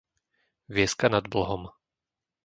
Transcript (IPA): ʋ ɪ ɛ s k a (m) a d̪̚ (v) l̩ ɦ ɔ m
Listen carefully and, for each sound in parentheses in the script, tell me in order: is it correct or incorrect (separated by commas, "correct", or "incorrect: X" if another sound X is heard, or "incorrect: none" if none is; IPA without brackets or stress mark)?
incorrect: n, incorrect: b